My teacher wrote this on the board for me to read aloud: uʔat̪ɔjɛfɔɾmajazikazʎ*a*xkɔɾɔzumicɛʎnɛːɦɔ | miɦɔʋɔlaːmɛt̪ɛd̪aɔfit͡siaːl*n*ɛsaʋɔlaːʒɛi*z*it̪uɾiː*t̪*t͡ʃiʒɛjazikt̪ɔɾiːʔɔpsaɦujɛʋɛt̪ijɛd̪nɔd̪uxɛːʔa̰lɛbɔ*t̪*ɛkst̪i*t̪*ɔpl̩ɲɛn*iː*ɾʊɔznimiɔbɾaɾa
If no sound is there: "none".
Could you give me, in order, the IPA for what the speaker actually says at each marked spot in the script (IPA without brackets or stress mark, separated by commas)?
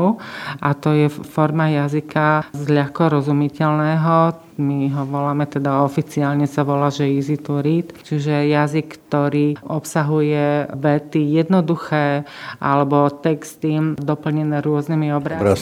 a, ɲ, z, t̪, t̪, d̪, ɛː